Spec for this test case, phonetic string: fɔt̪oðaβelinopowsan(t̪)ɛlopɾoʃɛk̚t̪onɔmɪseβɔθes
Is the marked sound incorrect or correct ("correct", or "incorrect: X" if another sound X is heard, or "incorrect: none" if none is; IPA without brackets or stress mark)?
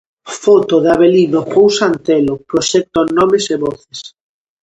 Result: correct